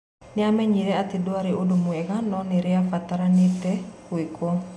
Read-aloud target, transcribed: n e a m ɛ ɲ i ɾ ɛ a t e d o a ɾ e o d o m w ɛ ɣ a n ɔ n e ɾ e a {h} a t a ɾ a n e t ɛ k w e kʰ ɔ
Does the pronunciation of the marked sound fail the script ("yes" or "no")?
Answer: yes